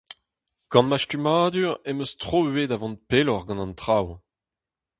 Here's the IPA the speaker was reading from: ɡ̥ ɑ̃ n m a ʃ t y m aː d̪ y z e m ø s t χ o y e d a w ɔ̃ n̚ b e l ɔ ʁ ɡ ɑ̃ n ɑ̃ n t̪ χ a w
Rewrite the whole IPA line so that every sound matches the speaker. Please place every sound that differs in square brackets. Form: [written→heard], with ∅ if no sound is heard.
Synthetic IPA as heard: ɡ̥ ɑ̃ n m a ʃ t y m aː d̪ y [z→ʁ] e m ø s t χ o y e d a [w→v] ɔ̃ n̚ [b→p] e l ɔ ʁ ɡ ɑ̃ n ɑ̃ n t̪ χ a w

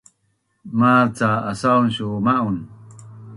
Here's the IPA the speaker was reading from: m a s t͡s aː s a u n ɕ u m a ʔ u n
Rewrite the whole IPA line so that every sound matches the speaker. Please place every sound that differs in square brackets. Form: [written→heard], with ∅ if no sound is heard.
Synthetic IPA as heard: m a [s→∅] t͡s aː s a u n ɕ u m a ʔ u n

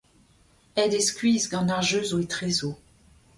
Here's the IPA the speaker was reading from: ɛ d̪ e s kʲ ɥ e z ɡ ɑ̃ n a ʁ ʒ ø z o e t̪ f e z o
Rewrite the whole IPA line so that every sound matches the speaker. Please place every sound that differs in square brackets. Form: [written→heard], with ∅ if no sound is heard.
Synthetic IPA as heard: ɛ d̪ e s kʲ ɥ [e→i] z ɡ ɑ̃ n a ʁ ʒ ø z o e t̪ [f→χ] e z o

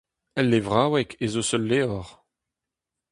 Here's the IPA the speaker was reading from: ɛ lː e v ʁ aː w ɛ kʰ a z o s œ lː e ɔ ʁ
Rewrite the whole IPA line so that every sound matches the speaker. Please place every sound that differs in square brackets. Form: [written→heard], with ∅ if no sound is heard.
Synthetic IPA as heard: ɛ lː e v ʁ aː w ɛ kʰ [a→e] z o s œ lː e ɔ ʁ

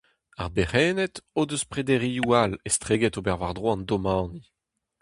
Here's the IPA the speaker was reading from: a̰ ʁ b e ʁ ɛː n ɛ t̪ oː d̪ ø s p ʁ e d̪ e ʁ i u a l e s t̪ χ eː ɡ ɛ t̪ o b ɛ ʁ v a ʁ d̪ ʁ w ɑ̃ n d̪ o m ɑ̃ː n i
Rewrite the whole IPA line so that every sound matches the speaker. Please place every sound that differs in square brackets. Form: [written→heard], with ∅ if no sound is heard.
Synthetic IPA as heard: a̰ ʁ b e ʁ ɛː n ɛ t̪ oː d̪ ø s p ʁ e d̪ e ʁ i u a l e s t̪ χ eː ɡ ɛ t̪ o b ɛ ʁ v a ʁ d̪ ʁ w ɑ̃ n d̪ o m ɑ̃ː n i

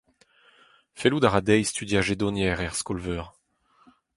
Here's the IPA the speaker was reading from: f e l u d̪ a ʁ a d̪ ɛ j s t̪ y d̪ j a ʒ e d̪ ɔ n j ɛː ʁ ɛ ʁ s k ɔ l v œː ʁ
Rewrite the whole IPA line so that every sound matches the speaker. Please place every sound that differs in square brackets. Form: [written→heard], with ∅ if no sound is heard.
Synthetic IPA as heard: f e l u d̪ a ʁ a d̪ ɛ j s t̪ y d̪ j a ʒ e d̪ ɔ n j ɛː ʁ ɛ ʁ s k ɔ l v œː ʁ

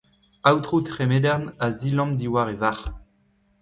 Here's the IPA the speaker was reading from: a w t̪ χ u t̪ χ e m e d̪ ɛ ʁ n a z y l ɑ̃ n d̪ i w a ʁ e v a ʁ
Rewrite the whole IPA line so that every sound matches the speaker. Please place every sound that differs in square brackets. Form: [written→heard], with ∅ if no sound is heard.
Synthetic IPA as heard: a w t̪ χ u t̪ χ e m e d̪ ɛ ʁ n a z [y→i] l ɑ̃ [n→m] d̪ i w a ʁ e v a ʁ

